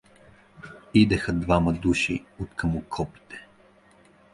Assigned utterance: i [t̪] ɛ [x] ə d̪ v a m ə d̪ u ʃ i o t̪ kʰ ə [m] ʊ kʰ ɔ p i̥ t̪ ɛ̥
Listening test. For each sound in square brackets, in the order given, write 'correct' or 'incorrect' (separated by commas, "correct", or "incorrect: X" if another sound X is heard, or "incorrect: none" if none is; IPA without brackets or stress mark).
incorrect: d̪, correct, correct